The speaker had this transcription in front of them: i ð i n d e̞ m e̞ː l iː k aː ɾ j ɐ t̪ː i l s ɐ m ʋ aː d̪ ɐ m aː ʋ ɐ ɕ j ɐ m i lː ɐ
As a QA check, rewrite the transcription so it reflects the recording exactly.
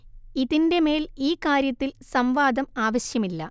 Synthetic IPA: i ð i n d e̞ m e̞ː l iː k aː ɾ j ɐ t̪ː i l s ɐ m ʋ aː d̪ ɐ m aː ʋ ɐ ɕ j ɐ m i lː ɐ